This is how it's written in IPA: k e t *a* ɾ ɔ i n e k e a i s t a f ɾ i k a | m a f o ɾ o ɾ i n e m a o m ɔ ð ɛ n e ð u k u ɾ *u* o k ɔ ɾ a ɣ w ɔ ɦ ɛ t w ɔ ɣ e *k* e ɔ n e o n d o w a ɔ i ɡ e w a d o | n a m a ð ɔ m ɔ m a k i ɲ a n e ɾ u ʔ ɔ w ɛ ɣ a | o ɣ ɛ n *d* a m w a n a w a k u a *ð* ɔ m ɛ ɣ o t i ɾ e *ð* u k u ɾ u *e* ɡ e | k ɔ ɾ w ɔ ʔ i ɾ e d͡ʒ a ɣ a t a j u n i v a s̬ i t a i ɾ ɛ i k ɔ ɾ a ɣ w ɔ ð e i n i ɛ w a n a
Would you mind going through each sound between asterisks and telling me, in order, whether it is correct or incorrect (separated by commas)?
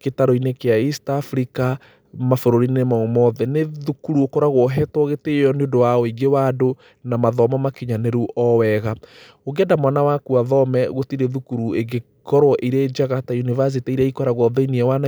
correct, correct, incorrect, correct, correct, correct, correct